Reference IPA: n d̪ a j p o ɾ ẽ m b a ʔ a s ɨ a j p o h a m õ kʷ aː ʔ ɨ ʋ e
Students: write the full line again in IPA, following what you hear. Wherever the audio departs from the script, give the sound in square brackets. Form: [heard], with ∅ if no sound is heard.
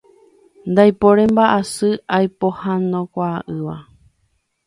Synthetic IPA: n d̪ a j p o ɾ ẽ m b a ʔ a s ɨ a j p o h a [n] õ kʷ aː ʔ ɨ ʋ [a]